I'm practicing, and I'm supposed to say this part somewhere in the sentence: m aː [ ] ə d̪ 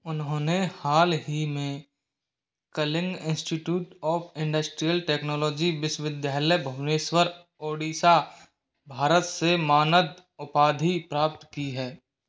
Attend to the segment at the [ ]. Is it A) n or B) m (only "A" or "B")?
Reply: A